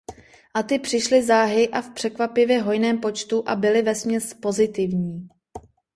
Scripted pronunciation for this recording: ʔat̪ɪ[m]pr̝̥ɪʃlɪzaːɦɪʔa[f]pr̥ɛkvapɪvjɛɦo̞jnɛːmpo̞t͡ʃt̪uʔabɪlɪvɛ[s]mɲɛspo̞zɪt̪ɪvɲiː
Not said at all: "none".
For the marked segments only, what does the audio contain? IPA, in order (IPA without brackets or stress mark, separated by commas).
none, f, s